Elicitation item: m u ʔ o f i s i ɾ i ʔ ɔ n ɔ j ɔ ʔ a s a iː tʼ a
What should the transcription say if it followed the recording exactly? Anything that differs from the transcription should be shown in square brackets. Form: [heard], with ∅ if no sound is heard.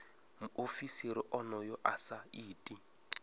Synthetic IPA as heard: m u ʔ o f i s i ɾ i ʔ ɔ n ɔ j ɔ ʔ a s a iː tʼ [i]